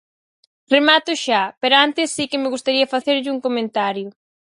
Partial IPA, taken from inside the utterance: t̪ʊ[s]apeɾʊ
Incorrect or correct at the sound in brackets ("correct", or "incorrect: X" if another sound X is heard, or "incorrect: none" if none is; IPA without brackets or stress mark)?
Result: incorrect: ʃ